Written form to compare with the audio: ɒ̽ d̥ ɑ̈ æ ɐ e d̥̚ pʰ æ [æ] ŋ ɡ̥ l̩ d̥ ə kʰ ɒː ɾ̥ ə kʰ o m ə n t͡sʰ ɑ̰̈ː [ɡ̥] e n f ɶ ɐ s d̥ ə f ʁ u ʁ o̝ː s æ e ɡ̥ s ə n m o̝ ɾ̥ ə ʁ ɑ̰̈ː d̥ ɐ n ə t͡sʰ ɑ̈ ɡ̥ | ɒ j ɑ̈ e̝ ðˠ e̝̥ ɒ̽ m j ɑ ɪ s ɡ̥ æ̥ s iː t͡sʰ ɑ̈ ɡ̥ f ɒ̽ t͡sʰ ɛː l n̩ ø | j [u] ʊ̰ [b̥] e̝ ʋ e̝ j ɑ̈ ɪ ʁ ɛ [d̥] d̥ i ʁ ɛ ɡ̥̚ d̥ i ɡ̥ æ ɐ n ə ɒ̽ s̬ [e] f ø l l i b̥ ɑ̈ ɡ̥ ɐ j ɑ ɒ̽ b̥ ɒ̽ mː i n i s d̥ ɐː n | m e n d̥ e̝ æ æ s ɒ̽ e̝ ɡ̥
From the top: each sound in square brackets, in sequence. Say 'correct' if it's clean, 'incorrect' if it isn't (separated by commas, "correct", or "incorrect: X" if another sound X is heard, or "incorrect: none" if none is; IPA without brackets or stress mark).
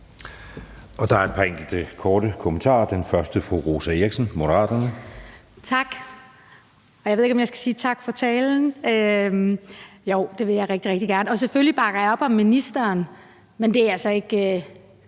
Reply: incorrect: e, incorrect: d̥, incorrect: o, incorrect: d̥, incorrect: ɡ̥, correct